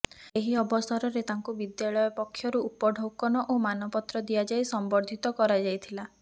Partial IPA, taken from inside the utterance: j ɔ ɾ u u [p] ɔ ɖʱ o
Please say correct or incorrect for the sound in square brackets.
correct